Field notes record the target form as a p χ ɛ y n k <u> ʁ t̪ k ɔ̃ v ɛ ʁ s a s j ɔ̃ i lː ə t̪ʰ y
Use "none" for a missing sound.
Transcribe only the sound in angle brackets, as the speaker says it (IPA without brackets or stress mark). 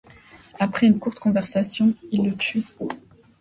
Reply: u